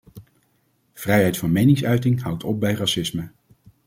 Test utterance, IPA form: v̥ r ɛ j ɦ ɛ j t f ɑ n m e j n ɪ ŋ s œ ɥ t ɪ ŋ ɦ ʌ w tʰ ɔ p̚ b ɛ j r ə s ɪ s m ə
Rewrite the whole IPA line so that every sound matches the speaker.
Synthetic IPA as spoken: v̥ r ɛ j ɦ ɛ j t f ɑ n m e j n ɪ ŋ s œ ɥ t ɪ ŋ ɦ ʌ w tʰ ɔ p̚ b ɛ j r ɑ s ɪ s m ə